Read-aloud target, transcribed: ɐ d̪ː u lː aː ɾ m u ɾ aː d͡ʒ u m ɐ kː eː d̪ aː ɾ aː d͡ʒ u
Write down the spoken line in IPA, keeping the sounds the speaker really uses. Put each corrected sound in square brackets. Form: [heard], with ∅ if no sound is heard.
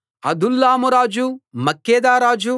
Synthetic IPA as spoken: ɐ [d̪] u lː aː [∅] m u ɾ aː d͡ʒ u m ɐ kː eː d̪ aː ɾ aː d͡ʒ u